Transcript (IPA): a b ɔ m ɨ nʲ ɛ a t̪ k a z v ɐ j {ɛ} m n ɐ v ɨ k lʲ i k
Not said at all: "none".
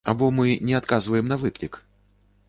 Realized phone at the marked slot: ɛ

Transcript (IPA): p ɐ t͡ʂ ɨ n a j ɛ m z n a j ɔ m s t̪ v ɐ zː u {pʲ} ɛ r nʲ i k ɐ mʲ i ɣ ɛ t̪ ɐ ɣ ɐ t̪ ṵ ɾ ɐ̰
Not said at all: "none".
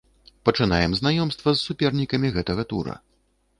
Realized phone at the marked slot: pʲ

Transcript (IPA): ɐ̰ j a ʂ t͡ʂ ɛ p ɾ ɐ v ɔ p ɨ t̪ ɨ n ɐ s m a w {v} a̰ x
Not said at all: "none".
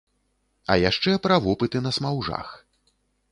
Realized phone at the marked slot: ʐ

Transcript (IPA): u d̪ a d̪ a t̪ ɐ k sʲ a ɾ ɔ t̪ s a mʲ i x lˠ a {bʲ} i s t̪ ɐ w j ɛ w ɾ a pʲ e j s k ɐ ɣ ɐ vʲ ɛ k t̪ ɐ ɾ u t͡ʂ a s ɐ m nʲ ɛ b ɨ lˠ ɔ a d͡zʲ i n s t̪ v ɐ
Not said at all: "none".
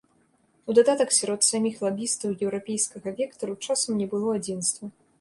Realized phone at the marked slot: bʲ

